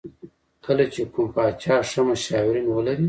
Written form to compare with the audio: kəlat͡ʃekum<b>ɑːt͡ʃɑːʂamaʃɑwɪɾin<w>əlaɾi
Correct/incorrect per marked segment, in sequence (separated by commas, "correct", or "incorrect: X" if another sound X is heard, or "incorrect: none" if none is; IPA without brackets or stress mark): incorrect: p, correct